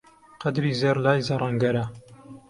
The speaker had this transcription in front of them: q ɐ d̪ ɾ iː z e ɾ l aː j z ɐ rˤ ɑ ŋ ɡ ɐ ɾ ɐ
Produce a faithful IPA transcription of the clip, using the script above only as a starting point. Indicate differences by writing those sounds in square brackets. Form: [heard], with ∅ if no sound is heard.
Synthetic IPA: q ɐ d̪ ɾ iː z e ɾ l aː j z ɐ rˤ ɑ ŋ ɡ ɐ ɾ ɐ